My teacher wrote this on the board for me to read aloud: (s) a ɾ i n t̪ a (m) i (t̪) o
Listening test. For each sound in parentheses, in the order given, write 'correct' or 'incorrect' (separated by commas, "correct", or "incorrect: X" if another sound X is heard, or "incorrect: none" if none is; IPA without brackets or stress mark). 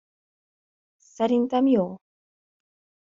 correct, correct, incorrect: none